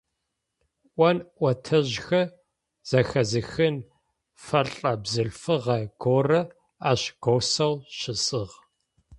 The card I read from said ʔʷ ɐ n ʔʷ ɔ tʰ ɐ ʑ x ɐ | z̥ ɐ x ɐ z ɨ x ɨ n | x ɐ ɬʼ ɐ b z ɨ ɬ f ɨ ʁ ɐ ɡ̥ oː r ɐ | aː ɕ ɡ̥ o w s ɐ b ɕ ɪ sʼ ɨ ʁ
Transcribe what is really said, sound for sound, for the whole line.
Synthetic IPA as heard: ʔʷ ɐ n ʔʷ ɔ tʰ ɐ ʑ x ɐ | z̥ ɐ x ɐ z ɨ x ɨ n | f ɐ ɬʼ ɐ b z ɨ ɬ f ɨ ʁ ɐ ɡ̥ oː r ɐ | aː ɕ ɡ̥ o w s ɐ w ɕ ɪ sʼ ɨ ʁ